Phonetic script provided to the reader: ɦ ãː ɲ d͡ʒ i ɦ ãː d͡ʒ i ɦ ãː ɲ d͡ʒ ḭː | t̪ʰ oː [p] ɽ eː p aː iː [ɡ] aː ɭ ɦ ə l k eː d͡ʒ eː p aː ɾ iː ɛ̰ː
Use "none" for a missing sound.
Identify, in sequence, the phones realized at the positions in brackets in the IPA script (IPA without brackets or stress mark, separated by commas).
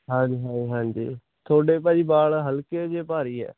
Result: none, b